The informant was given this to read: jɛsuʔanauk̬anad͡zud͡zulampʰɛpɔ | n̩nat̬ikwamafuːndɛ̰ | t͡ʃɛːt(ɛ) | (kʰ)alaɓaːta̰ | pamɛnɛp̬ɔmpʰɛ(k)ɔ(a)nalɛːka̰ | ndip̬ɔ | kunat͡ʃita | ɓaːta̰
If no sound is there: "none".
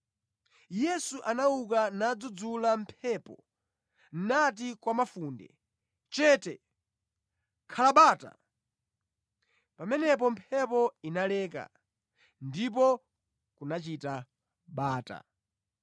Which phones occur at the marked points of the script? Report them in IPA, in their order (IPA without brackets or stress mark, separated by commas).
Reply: ɛ, kʰ, p, i